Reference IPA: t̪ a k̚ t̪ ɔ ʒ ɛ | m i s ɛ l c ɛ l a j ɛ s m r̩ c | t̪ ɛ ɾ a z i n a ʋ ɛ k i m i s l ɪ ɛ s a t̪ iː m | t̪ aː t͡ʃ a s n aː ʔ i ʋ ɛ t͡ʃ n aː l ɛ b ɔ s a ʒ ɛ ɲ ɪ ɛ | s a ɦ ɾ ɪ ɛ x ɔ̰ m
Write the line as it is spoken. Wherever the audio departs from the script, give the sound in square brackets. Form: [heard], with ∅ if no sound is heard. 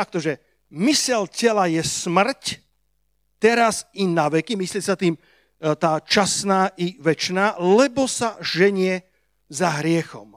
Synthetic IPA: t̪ a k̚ t̪ ɔ ʒ ɛ | m i s ɛ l c ɛ l a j ɛ s m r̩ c | t̪ ɛ ɾ a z i n a ʋ ɛ k i m i s l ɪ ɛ s a t̪ iː m | t̪ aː t͡ʃ a s n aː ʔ i ʋ ɛ t͡ʃ n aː l ɛ b ɔ s a ʒ ɛ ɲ ɪ ɛ | [z] a ɦ ɾ ɪ ɛ x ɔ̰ m